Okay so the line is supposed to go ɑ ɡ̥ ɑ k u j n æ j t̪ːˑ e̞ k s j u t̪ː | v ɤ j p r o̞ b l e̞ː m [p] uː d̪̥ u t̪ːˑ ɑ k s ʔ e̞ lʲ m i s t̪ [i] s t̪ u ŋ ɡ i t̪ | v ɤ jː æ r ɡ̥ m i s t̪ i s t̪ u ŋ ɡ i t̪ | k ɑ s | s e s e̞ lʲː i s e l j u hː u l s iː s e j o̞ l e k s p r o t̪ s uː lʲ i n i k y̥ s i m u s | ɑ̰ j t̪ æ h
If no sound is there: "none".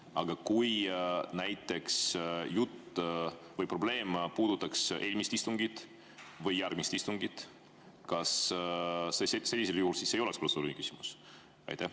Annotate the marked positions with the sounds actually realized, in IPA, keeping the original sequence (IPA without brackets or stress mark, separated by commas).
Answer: p, i